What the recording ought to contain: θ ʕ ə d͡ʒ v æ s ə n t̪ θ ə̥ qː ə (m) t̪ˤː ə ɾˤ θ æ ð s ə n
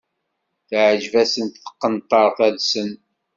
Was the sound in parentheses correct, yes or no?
no